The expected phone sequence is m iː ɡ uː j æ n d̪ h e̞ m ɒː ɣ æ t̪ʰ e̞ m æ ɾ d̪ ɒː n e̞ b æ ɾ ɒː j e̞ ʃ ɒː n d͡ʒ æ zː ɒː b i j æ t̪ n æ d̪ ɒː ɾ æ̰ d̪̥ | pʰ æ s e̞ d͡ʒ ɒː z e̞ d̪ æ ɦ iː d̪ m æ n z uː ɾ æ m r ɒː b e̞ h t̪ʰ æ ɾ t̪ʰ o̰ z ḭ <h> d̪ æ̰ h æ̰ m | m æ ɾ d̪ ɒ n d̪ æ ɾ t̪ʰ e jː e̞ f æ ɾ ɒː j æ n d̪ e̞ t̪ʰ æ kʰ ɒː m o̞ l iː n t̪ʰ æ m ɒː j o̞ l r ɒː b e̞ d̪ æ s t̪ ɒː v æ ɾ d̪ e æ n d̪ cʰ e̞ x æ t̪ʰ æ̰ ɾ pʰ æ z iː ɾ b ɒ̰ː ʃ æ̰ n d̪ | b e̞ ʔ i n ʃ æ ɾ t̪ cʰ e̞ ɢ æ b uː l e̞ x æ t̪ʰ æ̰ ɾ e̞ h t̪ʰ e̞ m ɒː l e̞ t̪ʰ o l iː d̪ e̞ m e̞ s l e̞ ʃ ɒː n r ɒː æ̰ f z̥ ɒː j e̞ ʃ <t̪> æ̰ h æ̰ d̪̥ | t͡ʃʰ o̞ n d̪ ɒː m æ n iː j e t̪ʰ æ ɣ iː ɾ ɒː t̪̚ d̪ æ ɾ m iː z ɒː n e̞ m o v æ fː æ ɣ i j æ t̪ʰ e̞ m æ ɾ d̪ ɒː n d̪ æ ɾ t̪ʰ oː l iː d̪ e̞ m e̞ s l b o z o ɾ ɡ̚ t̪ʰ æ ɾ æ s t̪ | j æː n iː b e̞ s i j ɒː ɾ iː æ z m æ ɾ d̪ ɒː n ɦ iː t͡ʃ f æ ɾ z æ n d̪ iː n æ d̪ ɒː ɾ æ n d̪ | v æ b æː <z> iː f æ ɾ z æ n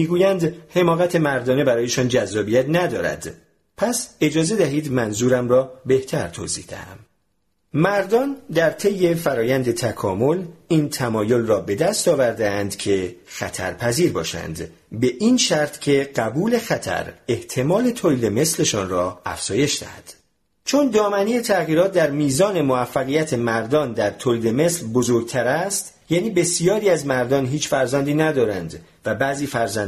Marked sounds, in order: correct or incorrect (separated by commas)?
correct, incorrect, correct